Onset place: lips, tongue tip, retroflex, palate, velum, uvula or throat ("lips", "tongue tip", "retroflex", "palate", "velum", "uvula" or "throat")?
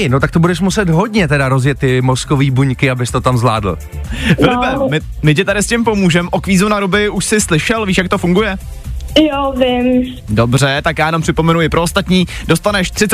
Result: tongue tip